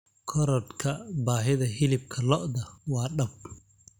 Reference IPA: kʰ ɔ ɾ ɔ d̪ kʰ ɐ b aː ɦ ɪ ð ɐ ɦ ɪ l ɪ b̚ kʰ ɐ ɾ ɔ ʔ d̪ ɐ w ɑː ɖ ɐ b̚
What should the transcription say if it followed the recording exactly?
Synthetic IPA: kʰ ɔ ɾ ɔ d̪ kʰ ɐ b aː ɦ ɪ ð ɐ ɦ ɪ l ɪ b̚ kʰ ɐ l ɔ ʔ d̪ ɐ w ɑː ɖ ɐ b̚